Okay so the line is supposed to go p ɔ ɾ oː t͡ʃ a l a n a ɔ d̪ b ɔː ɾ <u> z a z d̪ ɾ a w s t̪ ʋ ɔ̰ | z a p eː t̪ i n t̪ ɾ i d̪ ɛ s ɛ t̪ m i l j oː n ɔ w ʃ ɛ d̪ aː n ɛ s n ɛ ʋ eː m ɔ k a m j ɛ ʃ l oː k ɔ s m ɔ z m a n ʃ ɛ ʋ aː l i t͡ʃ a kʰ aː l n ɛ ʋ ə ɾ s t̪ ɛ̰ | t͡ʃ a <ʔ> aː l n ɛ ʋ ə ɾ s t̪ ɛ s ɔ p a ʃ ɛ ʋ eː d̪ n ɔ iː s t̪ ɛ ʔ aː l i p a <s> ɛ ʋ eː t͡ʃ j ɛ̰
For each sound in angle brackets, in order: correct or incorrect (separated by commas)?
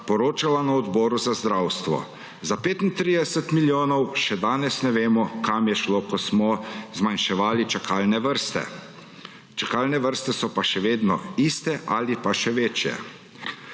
correct, incorrect, incorrect